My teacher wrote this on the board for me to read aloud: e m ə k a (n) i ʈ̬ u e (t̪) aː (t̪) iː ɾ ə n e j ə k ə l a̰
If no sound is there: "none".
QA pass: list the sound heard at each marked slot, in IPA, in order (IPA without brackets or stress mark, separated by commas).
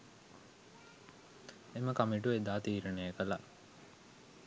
m, d̪, t̪